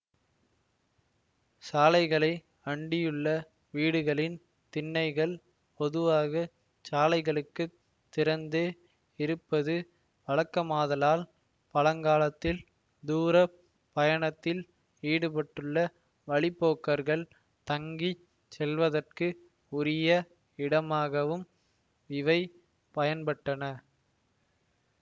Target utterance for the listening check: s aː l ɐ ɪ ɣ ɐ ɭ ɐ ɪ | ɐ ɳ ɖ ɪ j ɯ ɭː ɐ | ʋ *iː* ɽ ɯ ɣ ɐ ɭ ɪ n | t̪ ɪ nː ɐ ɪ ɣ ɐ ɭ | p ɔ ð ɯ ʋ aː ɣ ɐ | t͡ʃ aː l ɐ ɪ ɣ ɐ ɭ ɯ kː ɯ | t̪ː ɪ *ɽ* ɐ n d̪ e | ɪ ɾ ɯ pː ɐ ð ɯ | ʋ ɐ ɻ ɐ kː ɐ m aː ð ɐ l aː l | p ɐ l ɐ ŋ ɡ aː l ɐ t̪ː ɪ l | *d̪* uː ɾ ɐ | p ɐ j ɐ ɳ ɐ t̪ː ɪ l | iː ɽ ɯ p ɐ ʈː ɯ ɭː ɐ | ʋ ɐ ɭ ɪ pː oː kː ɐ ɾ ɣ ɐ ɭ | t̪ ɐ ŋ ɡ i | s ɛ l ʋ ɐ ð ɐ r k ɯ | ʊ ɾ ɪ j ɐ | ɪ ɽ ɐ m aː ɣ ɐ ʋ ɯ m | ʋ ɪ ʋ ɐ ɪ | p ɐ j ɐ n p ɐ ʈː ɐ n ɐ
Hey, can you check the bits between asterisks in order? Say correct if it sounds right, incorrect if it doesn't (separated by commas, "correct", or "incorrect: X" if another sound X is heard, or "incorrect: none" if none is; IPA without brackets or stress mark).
correct, incorrect: ɾ, correct